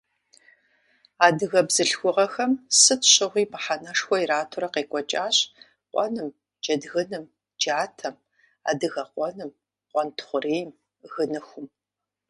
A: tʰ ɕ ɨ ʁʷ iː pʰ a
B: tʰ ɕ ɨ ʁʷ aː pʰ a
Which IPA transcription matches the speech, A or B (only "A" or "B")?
A